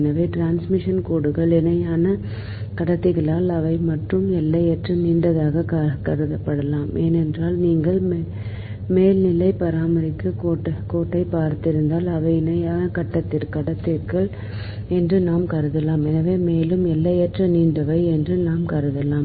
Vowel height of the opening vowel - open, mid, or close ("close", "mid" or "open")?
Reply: open